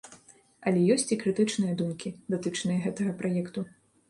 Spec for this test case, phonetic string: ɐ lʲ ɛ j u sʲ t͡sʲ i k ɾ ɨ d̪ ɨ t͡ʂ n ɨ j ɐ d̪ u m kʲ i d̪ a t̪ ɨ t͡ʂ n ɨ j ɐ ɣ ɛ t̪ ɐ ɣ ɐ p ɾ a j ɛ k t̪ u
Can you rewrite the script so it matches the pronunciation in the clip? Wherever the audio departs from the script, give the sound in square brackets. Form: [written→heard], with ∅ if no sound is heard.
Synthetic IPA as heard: ɐ lʲ ɛ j [u→ɔ] sʲ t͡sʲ i k ɾ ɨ [d̪→t̪] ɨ t͡ʂ n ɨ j ɐ d̪ u m kʲ i d̪ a t̪ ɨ t͡ʂ n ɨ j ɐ ɣ ɛ t̪ ɐ ɣ ɐ p ɾ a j ɛ k t̪ u